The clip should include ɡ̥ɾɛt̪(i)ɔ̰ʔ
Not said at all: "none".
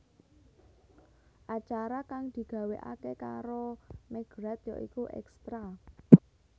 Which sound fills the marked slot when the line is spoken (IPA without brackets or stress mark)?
j